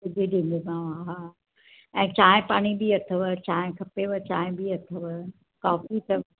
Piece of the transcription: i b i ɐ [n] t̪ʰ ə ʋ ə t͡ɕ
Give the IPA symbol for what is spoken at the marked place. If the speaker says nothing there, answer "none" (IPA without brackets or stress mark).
none